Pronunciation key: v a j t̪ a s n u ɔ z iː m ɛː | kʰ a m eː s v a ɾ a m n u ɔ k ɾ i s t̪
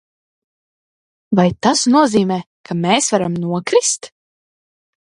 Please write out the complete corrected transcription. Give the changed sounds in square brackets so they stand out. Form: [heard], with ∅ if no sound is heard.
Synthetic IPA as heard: v a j t̪ a s n u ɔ z iː m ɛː | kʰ a m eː s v a ɾ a m n u ɔ k ɾ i s t̪